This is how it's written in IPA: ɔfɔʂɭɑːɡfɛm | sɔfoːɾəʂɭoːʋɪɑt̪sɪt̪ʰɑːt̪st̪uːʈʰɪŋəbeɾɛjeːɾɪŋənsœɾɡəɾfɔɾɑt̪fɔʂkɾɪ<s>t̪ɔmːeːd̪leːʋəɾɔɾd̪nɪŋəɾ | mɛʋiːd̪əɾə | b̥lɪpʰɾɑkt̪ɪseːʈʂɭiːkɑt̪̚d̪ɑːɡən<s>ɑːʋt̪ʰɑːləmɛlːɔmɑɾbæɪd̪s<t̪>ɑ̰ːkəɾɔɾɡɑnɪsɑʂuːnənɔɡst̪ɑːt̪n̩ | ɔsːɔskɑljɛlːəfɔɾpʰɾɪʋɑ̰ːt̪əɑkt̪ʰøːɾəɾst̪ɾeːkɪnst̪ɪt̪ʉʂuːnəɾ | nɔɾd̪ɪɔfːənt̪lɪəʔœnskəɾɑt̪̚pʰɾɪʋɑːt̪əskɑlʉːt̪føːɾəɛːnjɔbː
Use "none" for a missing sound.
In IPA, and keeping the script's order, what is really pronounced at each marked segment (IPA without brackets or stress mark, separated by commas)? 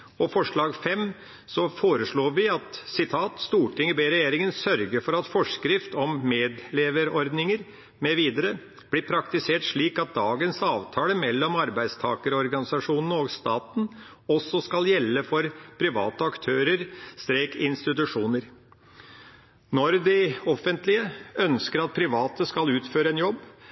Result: f, s, t̪ʰ